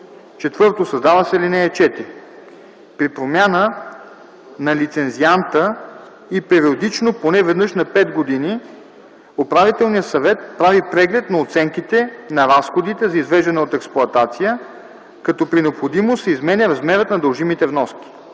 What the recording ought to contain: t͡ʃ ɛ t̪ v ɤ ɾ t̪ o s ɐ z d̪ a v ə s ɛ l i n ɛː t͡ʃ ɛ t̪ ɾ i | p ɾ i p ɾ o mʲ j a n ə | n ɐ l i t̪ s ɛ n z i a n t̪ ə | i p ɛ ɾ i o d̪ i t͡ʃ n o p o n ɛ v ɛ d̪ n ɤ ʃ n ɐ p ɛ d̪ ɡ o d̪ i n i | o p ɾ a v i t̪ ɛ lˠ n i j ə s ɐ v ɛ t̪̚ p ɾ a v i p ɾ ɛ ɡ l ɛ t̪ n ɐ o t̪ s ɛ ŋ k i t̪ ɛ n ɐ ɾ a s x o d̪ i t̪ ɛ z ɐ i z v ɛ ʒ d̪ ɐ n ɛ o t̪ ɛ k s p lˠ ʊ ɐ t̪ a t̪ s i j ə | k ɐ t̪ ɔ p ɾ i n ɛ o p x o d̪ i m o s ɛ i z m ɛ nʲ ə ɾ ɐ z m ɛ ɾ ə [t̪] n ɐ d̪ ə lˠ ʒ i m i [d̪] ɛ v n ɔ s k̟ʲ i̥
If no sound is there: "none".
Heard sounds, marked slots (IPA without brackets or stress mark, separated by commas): t̪, t̪